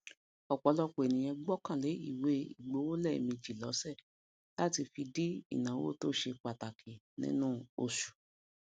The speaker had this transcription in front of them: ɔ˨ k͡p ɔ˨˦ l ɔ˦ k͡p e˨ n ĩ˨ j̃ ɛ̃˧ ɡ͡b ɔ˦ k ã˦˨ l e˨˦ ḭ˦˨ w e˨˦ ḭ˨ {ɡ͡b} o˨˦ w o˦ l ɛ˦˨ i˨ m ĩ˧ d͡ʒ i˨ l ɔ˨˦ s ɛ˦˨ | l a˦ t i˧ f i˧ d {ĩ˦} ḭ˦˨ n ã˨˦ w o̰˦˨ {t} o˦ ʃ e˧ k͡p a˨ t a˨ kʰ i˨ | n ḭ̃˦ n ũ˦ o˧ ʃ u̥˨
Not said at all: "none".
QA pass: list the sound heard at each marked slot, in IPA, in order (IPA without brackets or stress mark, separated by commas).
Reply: ɡ͡b, i˦, t